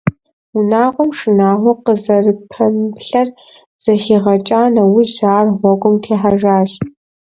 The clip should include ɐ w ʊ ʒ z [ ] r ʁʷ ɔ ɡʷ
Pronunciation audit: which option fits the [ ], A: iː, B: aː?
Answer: B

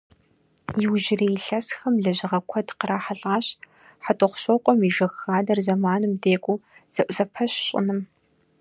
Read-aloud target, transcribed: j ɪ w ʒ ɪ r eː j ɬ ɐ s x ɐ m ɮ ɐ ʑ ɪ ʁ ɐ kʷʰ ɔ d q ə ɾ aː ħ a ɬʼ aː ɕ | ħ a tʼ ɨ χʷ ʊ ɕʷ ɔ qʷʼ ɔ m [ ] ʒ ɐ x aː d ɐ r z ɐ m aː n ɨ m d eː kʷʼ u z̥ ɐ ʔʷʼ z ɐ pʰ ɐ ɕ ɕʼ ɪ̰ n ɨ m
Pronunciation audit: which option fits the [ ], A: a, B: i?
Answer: B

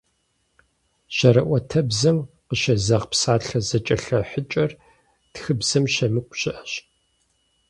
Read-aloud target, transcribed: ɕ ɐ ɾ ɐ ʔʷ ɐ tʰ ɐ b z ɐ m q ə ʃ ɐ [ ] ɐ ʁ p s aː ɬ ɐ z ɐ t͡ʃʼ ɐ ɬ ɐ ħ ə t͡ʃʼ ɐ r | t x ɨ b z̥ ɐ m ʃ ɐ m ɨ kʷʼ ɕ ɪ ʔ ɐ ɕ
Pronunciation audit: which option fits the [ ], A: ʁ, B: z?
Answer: B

